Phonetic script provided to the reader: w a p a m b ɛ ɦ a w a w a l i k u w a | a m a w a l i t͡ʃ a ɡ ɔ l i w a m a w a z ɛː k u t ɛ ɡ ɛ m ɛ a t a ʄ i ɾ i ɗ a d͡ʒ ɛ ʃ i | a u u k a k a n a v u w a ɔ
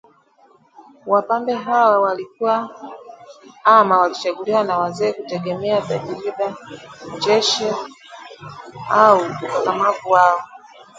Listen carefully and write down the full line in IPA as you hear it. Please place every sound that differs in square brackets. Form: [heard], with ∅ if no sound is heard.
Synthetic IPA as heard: w a p a m b ɛ ɦ a w a w a l i k u w a | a m a w a l i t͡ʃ a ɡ [u] l i w a [n] a w a z ɛː k u t ɛ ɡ ɛ m ɛ a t a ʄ i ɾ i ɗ a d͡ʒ ɛ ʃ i | a u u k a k a [m] a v u w a ɔ